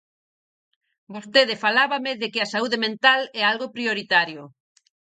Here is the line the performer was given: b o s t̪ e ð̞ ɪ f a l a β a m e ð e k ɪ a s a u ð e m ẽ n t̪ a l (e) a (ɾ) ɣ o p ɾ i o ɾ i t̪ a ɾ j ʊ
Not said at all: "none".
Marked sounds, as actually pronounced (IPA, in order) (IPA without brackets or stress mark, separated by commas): ɛ, l